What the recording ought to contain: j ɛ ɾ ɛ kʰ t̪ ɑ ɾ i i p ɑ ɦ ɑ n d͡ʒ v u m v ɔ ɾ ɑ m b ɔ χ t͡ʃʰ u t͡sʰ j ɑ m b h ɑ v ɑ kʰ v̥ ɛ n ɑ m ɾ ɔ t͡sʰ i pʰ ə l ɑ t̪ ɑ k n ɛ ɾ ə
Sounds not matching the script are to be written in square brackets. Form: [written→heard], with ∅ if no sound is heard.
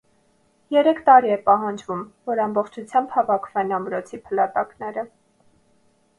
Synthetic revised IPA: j ɛ ɾ ɛ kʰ t̪ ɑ ɾ i [i→ɛ] p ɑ ɦ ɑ n d͡ʒ v u m v ɔ ɾ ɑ m b ɔ χ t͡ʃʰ u t͡sʰ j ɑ m b h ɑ v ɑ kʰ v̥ ɛ n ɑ m ɾ ɔ t͡sʰ i pʰ ə l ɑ t̪ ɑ k n ɛ ɾ ə